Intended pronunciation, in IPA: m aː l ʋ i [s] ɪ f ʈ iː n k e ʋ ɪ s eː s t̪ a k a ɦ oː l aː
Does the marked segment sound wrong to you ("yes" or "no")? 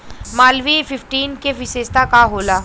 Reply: yes